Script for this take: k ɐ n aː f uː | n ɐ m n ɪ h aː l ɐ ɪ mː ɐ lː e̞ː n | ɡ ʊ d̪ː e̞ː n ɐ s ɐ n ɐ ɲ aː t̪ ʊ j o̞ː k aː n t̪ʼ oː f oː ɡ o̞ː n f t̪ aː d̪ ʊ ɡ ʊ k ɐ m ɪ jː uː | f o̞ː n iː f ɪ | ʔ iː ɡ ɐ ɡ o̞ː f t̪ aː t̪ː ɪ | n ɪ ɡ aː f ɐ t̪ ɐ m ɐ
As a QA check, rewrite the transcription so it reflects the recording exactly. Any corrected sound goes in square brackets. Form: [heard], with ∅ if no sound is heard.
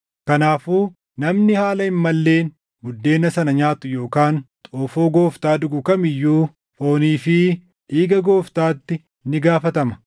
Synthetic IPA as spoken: k ɐ n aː f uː | n ɐ m n ɪ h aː l ɐ ɪ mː ɐ lː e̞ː n | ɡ ʊ d̪ː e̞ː n ɐ s ɐ n ɐ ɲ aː t̪ ʊ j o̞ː k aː n t̪ʼ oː f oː ɡ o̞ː [∅] f t̪ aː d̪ ʊ ɡ ʊ k ɐ m ɪ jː uː | f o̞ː n iː f ɪ | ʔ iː ɡ ɐ ɡ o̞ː f t̪ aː t̪ː ɪ | n ɪ ɡ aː f ɐ t̪ ɐ m ɐ